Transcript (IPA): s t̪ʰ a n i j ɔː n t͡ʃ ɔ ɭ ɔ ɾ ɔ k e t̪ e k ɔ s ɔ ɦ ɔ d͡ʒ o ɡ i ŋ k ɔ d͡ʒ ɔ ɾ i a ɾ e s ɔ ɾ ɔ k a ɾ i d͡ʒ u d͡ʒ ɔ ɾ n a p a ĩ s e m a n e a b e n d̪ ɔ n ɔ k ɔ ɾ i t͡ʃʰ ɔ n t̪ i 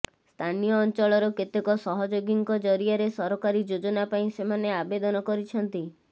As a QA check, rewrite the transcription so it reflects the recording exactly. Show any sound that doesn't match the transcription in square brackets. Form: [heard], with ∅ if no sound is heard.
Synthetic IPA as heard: s t̪ʰ a n i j ɔː n t͡ʃ ɔ ɭ ɔ ɾ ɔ k e t̪ e k ɔ s ɔ ɦ ɔ d͡ʒ o ɡ i ŋ k ɔ d͡ʒ ɔ ɾ i a ɾ e s ɔ ɾ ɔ k a ɾ i d͡ʒ [o] d͡ʒ ɔ [∅] n a p a ĩ s e m a n e a b e [∅] d̪ ɔ n ɔ k ɔ ɾ i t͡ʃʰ ɔ n t̪ i